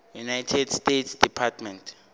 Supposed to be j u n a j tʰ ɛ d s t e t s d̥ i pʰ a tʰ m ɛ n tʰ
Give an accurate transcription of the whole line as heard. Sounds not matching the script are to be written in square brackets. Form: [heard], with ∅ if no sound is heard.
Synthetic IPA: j u n a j tʰ ɛ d s t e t s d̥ i pʰ a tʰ m ɛ n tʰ